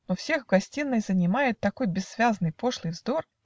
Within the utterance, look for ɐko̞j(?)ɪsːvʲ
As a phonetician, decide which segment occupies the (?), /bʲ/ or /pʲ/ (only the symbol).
bʲ